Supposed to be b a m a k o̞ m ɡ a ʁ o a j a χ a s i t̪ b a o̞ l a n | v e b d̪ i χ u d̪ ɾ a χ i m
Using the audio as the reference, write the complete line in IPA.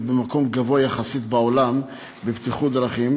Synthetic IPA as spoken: b e m a k o̞ m ɡ a v o a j a χ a s i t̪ b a o̞ l a m | b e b t̪ i χ u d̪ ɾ a χ i m